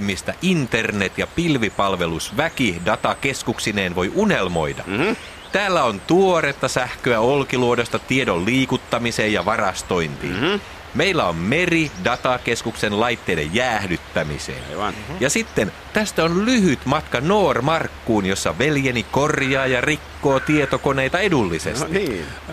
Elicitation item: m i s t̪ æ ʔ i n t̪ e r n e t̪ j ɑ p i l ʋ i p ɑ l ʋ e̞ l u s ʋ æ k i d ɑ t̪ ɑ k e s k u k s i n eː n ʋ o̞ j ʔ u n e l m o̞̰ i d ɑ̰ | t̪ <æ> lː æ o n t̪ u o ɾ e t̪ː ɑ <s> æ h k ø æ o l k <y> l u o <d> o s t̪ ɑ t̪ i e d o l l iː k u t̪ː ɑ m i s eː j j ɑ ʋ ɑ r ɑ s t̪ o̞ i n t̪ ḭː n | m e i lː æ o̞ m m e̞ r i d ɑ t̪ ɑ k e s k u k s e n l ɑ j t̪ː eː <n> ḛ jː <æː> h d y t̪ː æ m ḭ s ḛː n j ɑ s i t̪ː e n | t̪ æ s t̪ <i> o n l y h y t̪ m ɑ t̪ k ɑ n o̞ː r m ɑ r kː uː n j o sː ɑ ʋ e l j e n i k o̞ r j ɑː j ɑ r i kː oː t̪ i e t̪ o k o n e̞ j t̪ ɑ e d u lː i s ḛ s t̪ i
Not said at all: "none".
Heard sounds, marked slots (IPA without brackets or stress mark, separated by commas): æː, s, i, d, d, æː, æ